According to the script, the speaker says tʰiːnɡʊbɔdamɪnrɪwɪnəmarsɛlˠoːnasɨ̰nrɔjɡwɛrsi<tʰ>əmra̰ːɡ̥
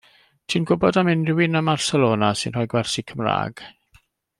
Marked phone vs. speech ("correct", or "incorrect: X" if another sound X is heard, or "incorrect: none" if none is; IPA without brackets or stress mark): incorrect: kʰ